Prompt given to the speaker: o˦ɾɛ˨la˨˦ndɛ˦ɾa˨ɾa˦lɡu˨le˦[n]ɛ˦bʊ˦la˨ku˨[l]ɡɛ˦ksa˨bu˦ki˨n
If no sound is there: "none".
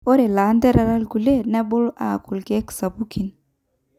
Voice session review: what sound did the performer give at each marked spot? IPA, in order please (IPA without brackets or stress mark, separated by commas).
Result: n, l